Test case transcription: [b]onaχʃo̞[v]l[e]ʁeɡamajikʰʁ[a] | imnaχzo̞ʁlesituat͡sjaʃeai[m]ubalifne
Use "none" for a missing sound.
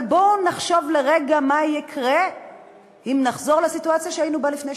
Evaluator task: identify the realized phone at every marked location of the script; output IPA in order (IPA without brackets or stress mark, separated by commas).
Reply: b, v, e, e, n